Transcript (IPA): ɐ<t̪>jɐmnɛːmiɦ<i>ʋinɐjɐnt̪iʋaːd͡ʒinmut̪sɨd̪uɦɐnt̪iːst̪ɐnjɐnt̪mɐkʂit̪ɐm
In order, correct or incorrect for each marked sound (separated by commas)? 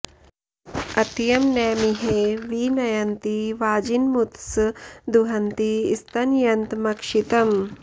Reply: correct, incorrect